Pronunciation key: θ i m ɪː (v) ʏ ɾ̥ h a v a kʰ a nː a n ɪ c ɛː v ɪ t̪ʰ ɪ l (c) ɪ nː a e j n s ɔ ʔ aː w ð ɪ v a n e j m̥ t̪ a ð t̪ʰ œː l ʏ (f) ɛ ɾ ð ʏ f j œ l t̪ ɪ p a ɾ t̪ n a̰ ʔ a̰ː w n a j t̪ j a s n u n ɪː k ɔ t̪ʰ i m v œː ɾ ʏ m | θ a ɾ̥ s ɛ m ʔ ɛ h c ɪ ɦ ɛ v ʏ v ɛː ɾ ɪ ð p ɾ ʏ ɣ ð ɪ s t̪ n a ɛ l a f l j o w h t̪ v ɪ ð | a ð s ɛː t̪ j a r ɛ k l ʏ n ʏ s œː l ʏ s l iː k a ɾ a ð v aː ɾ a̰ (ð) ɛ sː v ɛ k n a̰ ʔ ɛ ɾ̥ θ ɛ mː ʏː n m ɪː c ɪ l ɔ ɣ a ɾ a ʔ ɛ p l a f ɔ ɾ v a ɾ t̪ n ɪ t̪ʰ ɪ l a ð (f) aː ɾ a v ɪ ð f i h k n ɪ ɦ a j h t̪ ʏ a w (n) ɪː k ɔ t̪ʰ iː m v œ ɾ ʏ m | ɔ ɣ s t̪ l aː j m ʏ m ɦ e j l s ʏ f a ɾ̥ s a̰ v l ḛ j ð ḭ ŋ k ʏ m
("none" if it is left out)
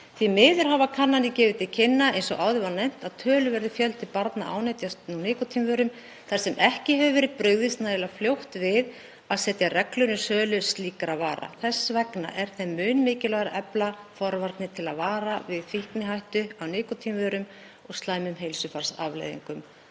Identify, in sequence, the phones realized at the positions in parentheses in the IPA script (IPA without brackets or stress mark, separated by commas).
ð, cʰ, v, θ, v, n